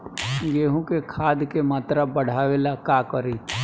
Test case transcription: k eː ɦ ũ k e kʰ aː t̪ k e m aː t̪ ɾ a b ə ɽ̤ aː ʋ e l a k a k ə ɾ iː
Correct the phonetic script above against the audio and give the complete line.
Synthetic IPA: ɡ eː ɦ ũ k e kʰ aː d̪ k e m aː t̪ ɾ a b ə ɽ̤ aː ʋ e l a k a k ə ɾ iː